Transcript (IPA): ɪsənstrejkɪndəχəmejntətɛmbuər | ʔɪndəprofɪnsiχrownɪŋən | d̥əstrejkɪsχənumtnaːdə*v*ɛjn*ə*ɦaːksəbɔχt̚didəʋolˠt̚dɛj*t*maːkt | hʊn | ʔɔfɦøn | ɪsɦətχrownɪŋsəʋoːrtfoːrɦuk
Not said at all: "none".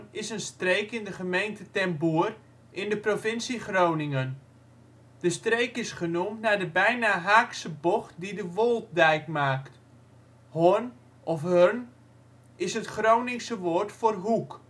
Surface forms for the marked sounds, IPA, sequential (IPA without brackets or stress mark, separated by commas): b, a, k